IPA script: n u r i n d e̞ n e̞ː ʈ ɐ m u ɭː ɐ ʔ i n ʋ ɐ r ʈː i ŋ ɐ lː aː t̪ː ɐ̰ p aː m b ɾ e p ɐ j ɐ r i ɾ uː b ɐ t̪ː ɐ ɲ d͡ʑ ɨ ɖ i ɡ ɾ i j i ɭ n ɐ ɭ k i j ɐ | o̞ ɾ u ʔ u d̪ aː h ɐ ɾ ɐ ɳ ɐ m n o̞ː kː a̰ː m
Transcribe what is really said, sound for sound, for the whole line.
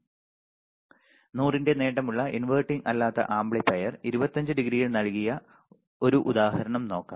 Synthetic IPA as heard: n uː r i n d e̞ n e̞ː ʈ ɐ m u ɭː ɐ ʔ i n ʋ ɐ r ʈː i ŋ ɐ lː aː t̪ː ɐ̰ ʔ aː m b ɭ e p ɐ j ɐ r i ɾ u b ɐ t̪ː ɐ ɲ d͡ʑ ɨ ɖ i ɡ ɾ i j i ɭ n ɐ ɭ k i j ɐ | o̞ ɾ u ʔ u d̪ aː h ɐ ɾ ɐ ɳ ɐ m n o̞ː kː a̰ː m